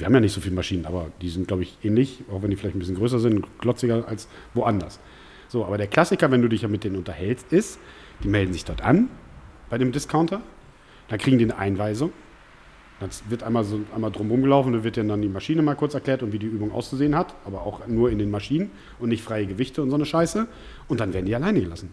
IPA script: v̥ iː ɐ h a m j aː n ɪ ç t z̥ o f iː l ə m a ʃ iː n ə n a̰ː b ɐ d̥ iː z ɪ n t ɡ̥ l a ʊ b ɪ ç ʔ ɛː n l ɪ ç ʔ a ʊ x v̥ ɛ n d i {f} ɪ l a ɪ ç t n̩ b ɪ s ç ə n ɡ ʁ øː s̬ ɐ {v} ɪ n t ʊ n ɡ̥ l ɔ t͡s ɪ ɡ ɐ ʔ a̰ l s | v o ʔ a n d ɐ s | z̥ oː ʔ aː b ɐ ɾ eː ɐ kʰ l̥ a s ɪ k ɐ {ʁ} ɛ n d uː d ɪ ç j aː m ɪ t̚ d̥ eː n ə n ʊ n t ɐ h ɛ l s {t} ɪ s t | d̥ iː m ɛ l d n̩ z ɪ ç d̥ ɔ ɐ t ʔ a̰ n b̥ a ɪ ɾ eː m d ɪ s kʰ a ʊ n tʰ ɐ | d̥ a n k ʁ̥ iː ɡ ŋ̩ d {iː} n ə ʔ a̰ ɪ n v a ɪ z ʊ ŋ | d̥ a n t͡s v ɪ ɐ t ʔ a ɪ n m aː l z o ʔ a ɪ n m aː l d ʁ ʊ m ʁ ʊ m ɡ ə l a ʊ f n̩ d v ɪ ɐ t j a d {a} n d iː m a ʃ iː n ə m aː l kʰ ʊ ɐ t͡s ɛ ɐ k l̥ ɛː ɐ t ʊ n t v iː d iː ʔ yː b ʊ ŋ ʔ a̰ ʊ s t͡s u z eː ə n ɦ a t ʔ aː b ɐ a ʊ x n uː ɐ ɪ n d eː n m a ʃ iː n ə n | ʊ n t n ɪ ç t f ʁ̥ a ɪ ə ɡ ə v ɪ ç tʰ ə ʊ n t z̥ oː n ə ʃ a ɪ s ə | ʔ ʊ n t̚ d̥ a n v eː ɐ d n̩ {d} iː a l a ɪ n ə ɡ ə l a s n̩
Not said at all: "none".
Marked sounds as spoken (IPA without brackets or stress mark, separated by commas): f, z, v, t, iː, a, d